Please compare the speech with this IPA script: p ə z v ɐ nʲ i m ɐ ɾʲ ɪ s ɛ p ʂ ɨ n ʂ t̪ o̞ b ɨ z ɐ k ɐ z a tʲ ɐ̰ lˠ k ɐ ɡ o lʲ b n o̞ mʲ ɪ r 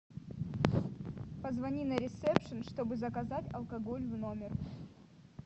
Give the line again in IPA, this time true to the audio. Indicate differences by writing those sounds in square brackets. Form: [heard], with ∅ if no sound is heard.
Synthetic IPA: p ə z v ɐ nʲ i [n] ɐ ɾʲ ɪ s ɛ p ʂ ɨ n ʂ t̪ o̞ b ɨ z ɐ k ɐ z a tʲ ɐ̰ lˠ k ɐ ɡ o lʲ [v] n o̞ mʲ ɪ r